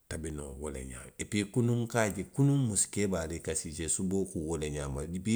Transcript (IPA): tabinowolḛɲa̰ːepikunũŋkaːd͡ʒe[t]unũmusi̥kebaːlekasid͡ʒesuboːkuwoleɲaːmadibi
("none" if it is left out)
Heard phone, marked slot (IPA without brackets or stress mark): k